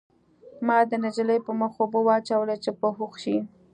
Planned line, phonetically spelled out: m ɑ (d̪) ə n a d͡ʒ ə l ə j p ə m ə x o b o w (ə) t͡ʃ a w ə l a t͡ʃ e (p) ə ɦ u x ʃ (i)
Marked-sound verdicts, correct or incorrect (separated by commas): correct, incorrect, correct, correct